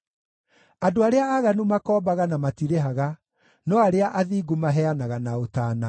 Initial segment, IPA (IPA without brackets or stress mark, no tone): a